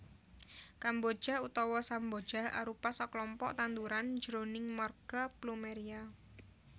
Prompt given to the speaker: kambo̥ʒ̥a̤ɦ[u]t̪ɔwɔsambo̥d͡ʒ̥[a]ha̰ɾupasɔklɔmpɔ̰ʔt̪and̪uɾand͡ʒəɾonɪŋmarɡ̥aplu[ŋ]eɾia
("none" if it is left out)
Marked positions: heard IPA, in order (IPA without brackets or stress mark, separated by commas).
u, a, m